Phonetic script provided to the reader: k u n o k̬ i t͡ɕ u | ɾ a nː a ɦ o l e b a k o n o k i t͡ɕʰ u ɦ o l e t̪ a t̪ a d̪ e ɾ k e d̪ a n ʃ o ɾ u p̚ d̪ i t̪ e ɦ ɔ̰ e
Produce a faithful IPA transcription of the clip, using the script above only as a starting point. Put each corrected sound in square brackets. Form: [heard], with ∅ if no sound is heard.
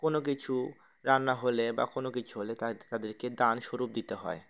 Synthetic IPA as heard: k [o] n o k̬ i [t͡ɕʰ] u | ɾ a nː a ɦ o l e b a k o n o k i t͡ɕʰ u ɦ o l e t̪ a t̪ a d̪ e ɾ k e d̪ a n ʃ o ɾ u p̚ d̪ i t̪ e ɦ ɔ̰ e